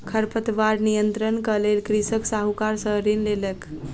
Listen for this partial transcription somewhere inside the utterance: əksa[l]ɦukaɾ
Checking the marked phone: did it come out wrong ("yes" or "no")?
yes